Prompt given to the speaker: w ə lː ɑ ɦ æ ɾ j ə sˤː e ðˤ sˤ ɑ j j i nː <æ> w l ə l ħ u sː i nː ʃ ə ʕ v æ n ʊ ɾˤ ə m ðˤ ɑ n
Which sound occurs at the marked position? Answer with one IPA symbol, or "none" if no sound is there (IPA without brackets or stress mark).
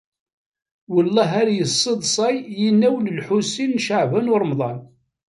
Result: æ